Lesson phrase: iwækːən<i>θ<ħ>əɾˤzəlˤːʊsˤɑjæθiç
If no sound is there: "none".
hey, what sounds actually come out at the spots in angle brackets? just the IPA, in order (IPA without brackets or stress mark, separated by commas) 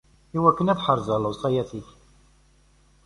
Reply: æ, ħ